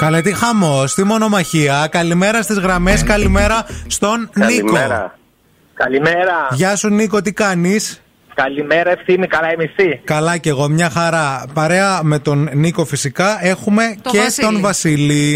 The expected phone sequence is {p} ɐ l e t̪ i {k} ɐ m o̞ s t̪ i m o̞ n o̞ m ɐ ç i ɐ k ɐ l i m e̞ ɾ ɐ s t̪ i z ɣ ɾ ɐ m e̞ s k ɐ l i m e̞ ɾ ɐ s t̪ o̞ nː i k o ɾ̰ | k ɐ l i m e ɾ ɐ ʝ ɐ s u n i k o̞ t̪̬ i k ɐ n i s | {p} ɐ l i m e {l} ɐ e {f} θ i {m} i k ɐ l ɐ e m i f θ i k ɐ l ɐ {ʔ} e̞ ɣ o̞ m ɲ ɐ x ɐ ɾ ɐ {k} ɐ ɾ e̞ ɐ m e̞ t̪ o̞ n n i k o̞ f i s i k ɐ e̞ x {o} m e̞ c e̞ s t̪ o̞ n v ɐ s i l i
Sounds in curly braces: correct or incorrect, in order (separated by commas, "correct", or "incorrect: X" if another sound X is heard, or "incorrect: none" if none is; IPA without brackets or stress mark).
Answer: incorrect: k, incorrect: x, incorrect: k, incorrect: ɾ, correct, incorrect: n, incorrect: c, incorrect: p, incorrect: u